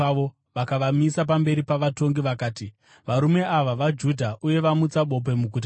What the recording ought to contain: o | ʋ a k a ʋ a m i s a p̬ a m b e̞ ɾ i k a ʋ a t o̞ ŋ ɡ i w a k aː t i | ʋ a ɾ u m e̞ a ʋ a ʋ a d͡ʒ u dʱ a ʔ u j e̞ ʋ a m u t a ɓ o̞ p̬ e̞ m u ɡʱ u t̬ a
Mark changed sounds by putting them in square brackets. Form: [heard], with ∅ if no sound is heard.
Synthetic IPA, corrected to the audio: o | ʋ a k a ʋ a m i s a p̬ a m b e̞ ɾ i [p] a ʋ a t o̞ ŋ ɡ i [ʋ] a k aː t i | ʋ a ɾ u m e̞ a ʋ a ʋ a d͡ʒ u dʱ a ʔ u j e̞ ʋ a m u [t͡s] a ɓ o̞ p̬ e̞ m u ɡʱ u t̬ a